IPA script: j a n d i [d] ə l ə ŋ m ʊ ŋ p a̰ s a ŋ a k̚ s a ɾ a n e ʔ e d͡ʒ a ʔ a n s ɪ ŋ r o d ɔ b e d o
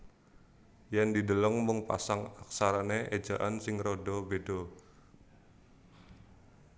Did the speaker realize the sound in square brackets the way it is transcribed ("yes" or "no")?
yes